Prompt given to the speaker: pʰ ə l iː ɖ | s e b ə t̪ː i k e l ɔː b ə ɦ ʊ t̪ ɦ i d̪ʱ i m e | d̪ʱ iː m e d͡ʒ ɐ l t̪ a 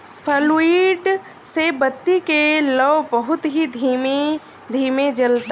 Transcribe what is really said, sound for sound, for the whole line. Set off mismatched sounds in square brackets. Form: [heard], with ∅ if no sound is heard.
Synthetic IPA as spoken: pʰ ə l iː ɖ | s e b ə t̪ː i k e l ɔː b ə ɦ ʊ t̪ ɦ i d̪ʱ i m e | d̪ʱ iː m e d͡ʒ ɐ l t̪ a